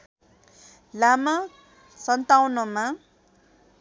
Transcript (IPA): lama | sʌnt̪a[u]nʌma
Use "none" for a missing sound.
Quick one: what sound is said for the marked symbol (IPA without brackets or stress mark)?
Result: w